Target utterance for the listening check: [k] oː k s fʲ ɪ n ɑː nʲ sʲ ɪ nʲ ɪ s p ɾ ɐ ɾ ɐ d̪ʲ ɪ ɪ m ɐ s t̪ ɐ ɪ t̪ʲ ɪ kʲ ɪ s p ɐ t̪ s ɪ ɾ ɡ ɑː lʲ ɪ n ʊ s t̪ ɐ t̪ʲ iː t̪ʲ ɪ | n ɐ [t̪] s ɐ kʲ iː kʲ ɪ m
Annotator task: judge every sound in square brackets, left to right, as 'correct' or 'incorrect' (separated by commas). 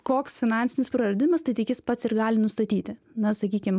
correct, incorrect